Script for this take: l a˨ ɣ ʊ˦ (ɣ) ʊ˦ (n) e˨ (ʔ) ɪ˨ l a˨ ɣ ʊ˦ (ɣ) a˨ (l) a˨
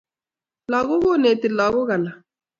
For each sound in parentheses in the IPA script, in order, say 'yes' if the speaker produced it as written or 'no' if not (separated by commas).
yes, yes, no, yes, yes